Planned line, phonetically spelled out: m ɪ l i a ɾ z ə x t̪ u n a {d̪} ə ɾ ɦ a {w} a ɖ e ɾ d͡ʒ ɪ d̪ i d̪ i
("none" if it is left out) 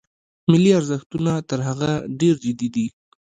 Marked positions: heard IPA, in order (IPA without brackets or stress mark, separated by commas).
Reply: t̪, ɣ